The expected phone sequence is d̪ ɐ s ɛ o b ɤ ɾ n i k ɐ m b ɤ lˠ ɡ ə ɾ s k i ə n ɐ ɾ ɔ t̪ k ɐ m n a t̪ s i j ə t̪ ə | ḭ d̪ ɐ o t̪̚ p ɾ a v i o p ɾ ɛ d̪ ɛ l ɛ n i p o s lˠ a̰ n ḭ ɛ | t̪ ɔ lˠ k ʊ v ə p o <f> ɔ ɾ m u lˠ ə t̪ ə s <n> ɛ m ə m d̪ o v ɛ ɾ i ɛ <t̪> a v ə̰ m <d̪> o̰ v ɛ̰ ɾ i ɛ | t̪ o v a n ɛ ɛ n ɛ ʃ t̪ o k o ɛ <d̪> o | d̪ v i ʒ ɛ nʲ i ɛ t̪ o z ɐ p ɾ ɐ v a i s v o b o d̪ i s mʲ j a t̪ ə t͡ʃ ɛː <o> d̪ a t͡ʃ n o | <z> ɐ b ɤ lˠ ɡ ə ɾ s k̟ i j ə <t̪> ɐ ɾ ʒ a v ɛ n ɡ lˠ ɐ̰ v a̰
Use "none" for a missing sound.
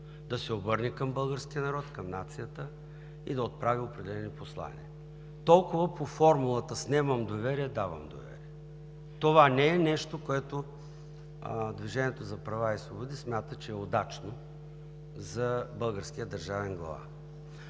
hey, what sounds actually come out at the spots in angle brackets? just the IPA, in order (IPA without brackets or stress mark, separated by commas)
f, n, d̪, d̪, t̪, o, z, d̪